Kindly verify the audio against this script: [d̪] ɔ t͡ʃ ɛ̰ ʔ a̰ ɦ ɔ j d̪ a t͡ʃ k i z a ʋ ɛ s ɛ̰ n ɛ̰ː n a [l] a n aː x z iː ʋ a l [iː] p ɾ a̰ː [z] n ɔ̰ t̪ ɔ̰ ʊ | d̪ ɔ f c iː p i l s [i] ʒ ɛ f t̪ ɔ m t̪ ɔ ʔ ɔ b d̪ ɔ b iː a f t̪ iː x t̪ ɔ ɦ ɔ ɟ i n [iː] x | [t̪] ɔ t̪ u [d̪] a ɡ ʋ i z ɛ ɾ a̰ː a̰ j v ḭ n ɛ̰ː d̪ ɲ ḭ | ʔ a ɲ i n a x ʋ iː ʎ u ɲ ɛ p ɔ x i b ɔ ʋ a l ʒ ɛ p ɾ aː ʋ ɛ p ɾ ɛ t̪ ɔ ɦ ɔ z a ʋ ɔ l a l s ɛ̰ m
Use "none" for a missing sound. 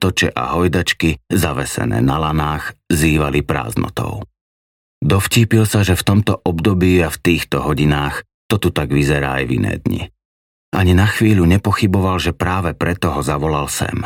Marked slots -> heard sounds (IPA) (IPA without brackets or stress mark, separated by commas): t̪, l, i, z, a, aː, t̪, t̪